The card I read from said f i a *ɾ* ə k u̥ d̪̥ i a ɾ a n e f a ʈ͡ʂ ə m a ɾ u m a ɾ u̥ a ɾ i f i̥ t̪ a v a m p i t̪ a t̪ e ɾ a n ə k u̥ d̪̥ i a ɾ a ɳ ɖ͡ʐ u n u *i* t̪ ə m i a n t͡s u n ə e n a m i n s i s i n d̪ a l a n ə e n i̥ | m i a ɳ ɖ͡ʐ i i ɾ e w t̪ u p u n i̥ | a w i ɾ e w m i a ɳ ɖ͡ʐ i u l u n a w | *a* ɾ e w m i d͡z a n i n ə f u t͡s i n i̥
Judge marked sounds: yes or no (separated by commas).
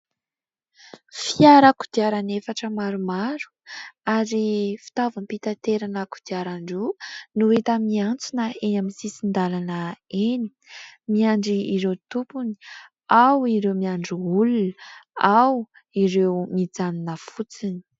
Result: yes, no, no